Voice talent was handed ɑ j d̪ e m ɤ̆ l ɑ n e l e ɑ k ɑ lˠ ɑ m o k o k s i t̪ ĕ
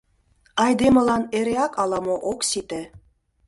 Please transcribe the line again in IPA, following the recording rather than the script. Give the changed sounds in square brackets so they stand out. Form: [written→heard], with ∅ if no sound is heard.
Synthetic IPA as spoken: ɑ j d̪ e m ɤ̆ l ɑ n e [l→ɾ] e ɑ k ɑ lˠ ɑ m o [k→ʔ] o k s i t̪ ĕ

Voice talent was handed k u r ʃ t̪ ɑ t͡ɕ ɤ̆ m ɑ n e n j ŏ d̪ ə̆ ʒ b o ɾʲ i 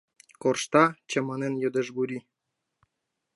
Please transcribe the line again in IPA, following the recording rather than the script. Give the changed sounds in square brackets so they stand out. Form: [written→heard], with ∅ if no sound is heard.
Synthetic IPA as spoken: k [u→o] r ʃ t̪ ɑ t͡ɕ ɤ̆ m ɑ n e n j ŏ d̪ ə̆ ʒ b [o→u] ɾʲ i

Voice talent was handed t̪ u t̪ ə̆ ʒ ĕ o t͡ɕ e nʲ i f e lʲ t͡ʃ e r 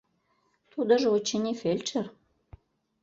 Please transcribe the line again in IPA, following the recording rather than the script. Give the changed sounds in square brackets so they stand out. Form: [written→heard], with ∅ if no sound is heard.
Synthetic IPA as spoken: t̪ u [t̪→d̪] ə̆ ʒ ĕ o t͡ɕ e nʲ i f e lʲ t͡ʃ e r

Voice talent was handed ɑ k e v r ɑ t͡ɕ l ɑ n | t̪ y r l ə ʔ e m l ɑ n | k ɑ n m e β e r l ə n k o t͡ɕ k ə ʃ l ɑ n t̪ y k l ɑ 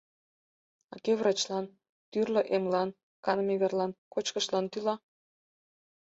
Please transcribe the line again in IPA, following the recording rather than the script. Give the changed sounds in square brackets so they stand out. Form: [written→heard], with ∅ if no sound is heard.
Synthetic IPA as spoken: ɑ k e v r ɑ t͡ɕ l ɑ n | t̪ y r l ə ʔ e m l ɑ n | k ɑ n m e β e r l [ə→ɑ] n k o t͡ɕ k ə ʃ l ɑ n t̪ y [k→∅] l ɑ

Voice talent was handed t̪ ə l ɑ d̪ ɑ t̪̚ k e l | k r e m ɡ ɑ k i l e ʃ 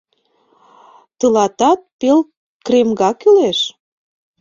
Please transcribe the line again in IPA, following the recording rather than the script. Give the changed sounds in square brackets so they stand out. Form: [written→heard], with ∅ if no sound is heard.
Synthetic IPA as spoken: t̪ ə l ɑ [d̪→t̪] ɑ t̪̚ [k→p] e l | k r e m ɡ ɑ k [i→y] l e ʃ

